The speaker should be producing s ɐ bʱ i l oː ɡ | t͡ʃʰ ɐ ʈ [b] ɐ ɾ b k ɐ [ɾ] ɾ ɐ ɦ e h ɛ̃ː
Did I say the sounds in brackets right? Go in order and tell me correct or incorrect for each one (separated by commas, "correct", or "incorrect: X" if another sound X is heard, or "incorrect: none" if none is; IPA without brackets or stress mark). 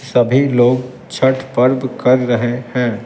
incorrect: p, correct